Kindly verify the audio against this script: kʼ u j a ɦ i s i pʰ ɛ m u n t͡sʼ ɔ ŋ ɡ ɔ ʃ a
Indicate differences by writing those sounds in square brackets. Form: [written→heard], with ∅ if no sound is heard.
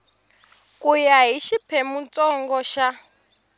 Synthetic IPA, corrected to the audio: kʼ u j a ɦ i [s→ʃ] i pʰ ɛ m u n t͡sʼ ɔ ŋ ɡ ɔ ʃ a